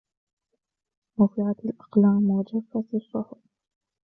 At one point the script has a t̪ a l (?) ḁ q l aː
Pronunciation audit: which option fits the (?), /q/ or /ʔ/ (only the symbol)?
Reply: ʔ